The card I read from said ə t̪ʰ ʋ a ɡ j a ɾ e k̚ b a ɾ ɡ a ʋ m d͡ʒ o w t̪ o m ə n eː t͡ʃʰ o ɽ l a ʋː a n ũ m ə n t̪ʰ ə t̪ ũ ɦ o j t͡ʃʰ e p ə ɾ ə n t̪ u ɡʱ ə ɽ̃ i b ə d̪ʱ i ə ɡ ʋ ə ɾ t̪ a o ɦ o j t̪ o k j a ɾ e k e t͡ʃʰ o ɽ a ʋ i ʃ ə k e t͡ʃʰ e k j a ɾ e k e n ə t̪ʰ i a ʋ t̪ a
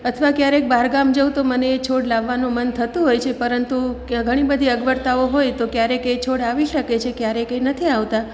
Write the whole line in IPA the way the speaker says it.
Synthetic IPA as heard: ə t̪ʰ ʋ a k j a ɾ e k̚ b a ɾ ɡ a m d͡ʒ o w t̪ o m ə n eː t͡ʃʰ o ɽ l a ʋː a n ũ m ə n t̪ʰ ə t̪ ũ ɦ o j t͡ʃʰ e p ə ɾ ə n t̪ u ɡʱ ə ɽ̃ i b ə d̪ʱ i ə ɡ ʋ ə ɾ t̪ a o ɦ o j t̪ o k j a ɾ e k e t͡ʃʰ o ɽ a ʋ i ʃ ə k e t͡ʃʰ e k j a ɾ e k e n ə t̪ʰ i a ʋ t̪ a